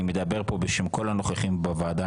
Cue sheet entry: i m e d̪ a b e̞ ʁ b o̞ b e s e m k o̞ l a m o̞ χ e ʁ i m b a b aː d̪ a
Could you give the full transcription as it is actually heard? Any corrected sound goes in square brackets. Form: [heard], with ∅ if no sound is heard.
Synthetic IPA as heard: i m e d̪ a b e̞ ʁ [p] o̞ b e [ʃ] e m k o̞ l a [n] o̞ χ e [χ] i m b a [v] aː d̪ a